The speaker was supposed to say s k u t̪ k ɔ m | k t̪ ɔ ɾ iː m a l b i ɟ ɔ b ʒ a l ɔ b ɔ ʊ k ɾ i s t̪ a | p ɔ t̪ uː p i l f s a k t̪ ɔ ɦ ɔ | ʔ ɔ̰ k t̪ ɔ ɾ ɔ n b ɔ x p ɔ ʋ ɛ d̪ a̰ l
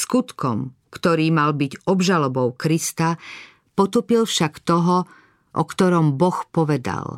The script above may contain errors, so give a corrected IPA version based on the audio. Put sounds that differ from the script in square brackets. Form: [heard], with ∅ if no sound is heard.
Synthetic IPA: s k u t̪ k ɔ m | k t̪ ɔ ɾ iː m a l b i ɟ ɔ b ʒ a l ɔ b ɔ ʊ k ɾ i s t̪ a | p ɔ t̪ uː p i l f [ʃ] a k t̪ ɔ ɦ ɔ | ʔ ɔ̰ k t̪ ɔ ɾ ɔ [m] b ɔ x p ɔ ʋ ɛ d̪ a̰ l